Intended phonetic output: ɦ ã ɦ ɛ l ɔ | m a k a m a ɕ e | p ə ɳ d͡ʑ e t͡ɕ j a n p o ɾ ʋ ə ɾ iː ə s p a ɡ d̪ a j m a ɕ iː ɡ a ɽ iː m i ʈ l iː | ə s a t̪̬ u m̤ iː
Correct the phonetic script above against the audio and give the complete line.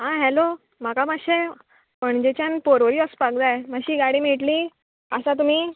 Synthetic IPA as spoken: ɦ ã ɦ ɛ l o | m a k a m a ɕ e | p ə ɳ d͡ʑ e t͡ɕ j a n p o ɾ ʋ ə ɾ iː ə s p a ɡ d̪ a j m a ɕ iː ɡ a ɽ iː m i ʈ l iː | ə s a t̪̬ u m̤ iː